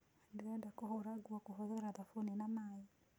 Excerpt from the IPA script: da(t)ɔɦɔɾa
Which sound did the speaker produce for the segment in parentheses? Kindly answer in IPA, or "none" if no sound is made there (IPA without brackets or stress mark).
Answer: k